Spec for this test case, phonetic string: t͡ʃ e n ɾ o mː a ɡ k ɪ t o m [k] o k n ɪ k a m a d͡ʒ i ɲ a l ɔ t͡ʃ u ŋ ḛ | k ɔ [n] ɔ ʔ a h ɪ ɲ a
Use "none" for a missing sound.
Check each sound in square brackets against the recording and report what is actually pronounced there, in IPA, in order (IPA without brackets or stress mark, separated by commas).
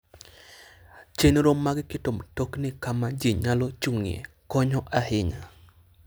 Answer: t, ɲ